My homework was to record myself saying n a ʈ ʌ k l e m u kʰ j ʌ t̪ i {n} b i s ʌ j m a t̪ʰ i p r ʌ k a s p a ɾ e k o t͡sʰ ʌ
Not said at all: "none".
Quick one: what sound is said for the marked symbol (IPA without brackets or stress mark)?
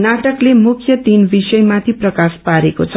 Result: n